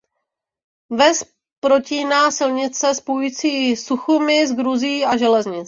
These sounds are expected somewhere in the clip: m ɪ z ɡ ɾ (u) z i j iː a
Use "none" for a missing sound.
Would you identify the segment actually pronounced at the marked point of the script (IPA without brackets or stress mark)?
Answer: u